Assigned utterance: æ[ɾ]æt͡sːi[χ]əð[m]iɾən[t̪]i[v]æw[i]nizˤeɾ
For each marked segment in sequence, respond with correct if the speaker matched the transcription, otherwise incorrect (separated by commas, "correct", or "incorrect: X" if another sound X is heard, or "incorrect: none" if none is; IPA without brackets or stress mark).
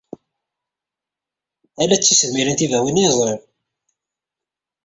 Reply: incorrect: l, incorrect: s, correct, correct, correct, correct